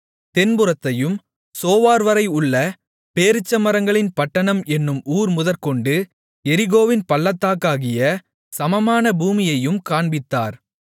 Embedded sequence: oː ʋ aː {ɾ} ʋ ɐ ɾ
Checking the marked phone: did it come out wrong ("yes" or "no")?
no